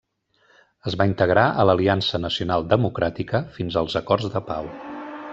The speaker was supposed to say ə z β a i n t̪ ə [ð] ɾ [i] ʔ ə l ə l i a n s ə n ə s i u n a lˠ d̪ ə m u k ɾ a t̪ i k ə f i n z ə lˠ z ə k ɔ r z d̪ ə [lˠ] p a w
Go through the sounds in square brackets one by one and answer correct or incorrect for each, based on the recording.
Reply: incorrect: ɣ, incorrect: a, incorrect: none

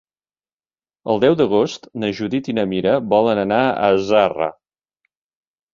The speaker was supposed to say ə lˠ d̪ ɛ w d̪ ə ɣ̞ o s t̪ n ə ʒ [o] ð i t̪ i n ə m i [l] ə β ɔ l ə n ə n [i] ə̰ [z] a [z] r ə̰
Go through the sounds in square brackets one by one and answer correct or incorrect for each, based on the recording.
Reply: incorrect: u, incorrect: ɾ, incorrect: a, correct, incorrect: none

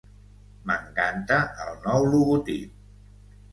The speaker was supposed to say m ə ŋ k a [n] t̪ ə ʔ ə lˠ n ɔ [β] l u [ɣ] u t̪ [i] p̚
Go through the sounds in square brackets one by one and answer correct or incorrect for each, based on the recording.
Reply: correct, incorrect: w, correct, correct

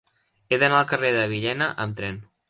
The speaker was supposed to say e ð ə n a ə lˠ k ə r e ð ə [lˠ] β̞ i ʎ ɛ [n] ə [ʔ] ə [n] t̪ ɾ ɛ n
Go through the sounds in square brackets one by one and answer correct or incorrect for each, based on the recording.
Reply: incorrect: none, correct, correct, incorrect: m

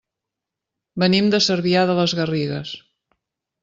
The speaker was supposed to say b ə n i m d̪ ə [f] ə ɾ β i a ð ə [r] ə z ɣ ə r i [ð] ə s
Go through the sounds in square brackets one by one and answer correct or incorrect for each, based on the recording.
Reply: incorrect: s, incorrect: l, incorrect: ɣ

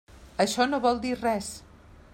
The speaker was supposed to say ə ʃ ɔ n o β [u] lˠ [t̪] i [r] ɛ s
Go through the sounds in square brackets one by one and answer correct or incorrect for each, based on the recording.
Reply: incorrect: ɔ, incorrect: d̪, correct

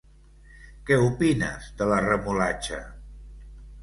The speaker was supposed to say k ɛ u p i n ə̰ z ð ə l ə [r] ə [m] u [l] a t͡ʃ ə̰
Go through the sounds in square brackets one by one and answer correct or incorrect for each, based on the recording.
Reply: correct, correct, correct

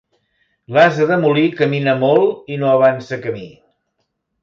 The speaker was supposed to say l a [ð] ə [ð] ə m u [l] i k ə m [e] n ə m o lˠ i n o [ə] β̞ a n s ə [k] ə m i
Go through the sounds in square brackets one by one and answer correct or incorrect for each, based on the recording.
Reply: incorrect: z, correct, correct, incorrect: i, correct, correct

